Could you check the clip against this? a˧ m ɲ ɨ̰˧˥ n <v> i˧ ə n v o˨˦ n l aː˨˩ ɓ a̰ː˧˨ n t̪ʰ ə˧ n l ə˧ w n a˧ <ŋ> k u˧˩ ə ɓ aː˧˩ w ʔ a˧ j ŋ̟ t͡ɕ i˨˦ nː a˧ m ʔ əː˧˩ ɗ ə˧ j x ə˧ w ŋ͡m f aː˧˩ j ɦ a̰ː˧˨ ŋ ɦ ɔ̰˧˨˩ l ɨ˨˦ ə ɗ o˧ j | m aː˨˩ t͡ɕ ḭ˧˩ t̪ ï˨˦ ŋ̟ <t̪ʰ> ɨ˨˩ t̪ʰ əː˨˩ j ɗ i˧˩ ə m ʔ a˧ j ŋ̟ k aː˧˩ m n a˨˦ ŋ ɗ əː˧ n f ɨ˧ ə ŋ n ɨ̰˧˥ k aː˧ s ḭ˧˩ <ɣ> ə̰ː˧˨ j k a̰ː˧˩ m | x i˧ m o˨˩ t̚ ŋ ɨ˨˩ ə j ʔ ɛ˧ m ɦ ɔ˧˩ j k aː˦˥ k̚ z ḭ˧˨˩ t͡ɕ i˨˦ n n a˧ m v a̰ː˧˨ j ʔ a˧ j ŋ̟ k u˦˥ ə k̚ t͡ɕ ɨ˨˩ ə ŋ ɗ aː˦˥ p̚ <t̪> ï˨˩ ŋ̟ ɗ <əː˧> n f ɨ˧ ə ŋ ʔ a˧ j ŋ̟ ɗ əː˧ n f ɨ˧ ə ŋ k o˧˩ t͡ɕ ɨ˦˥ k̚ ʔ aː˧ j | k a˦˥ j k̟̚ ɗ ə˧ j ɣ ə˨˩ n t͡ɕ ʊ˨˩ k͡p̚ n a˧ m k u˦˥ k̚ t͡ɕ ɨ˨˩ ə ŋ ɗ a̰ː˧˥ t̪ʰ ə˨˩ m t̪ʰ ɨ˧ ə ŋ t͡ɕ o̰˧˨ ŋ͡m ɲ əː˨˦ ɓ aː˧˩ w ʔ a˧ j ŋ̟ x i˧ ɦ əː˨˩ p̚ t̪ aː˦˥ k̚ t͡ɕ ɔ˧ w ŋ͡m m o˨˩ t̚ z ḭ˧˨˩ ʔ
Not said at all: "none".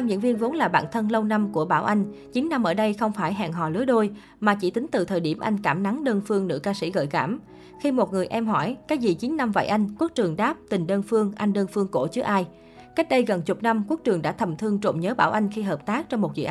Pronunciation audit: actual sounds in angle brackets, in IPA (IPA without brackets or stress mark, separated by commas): v, m, t̪, ɣ, t̪, əː˧